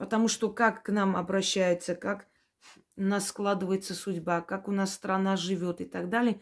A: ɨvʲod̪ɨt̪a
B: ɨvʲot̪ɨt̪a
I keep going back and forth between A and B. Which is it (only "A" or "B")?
B